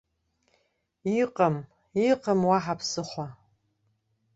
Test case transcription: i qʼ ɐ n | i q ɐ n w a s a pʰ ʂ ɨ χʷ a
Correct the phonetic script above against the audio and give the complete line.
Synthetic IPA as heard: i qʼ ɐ m | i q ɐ m w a ħ a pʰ s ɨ χʷ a